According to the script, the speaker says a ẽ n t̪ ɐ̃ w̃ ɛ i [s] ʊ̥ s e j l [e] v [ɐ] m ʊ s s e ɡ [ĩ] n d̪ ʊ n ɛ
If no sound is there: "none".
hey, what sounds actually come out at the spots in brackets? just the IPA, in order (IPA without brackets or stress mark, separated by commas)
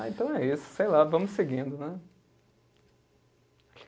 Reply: s, a, ɐ̃, ĩ